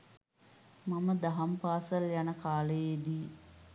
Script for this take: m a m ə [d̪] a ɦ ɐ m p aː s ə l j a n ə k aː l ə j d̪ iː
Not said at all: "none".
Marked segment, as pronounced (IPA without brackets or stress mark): d̪